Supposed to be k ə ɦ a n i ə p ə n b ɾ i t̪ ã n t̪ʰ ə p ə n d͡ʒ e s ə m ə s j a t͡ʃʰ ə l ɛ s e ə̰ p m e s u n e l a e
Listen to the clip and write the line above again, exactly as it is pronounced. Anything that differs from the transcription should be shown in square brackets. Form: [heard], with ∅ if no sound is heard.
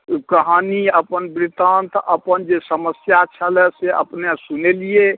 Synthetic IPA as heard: k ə ɦ a n i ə p ə n b ɾ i t̪ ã n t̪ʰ ə p ə n d͡ʒ e s ə m ə s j a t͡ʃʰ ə l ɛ s e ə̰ p [n] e s u n e l [i] e